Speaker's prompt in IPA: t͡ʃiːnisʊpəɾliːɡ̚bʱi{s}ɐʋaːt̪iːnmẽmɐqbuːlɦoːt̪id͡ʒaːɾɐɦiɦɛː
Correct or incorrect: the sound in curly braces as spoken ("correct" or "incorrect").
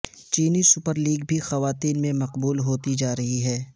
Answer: incorrect